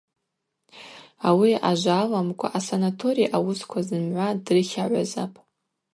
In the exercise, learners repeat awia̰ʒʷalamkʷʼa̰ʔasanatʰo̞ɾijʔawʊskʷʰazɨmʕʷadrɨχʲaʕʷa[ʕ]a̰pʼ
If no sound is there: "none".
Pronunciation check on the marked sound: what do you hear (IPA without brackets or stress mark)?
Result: z